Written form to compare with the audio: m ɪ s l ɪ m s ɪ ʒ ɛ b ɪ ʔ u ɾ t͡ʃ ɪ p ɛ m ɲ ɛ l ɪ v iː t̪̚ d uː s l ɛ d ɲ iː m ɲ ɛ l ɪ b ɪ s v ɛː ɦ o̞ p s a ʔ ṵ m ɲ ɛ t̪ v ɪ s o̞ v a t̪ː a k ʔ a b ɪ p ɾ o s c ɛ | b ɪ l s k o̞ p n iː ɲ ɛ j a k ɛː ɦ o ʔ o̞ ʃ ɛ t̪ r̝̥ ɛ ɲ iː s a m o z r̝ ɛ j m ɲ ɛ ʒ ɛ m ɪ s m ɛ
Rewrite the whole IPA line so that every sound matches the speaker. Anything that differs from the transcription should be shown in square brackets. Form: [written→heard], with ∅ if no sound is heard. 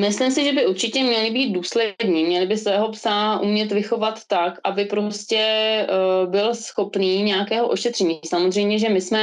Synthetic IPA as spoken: m ɪ s l ɪ m s ɪ ʒ ɛ b ɪ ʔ u ɾ t͡ʃ ɪ [p→c] ɛ m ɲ ɛ l ɪ [v→b] iː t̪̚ d uː s l ɛ d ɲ iː m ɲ ɛ l ɪ b ɪ s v ɛː ɦ o̞ p s a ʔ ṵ m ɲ ɛ t̪ v ɪ [s→x] o̞ v a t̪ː a k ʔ a b ɪ p ɾ o s c ɛ | b ɪ l s [k→x] o̞ p n iː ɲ ɛ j a k ɛː ɦ o ʔ o̞ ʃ ɛ t̪ r̝̥ ɛ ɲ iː s a m o z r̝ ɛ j m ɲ ɛ ʒ ɛ m ɪ s m ɛ